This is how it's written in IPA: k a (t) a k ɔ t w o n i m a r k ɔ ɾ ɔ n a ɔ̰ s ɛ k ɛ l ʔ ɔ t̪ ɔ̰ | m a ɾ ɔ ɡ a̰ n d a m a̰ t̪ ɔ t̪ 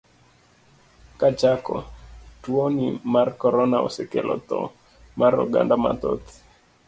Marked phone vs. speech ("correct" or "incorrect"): incorrect